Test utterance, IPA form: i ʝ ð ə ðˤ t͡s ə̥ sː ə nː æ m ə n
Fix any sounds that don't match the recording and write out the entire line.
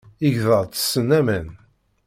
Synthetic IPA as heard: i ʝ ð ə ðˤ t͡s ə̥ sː ə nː æ m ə n